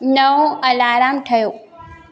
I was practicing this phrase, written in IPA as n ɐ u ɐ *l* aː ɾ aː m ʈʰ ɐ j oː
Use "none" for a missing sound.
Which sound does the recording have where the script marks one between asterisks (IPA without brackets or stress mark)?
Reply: l